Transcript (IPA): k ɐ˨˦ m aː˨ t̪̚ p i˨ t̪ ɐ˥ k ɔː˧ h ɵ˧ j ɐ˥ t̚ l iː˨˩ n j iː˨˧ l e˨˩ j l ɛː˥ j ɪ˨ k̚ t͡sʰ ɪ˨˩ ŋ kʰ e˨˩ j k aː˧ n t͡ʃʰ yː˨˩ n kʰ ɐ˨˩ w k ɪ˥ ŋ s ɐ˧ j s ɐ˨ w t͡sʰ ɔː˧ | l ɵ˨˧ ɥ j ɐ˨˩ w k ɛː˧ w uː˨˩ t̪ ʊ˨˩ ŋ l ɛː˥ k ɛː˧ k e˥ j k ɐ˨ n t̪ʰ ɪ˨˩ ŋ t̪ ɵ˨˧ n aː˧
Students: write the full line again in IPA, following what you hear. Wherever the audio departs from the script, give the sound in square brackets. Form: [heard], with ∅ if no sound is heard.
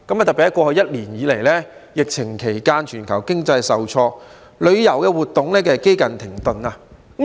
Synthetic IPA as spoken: k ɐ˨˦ m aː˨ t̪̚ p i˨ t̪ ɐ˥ k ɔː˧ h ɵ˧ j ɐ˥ t̚ l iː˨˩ n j iː˨˧ l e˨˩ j l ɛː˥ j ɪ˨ k̚ t͡sʰ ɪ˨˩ ŋ kʰ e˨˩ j k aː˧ n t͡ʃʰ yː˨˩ n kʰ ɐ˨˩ w k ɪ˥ ŋ [t͡s] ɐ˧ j s ɐ˨ w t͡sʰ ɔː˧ | l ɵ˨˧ ɥ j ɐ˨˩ w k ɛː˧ w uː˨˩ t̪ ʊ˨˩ ŋ l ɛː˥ k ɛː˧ k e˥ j k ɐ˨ n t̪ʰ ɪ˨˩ ŋ t̪ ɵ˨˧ n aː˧